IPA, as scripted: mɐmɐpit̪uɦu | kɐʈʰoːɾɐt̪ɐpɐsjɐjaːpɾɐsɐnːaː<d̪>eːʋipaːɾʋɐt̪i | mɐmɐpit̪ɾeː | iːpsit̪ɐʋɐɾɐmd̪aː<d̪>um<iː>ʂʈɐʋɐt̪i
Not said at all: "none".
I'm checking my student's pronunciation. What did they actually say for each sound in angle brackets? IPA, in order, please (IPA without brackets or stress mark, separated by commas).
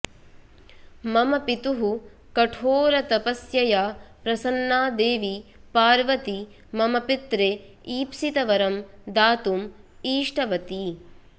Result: d̪, t̪, iː